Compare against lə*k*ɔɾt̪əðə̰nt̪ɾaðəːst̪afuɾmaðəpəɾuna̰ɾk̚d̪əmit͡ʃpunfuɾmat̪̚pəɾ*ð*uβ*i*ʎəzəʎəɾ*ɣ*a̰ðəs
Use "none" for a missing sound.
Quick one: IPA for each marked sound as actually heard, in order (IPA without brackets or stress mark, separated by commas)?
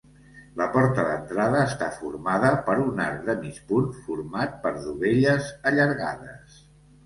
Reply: p, ð, e, ɣ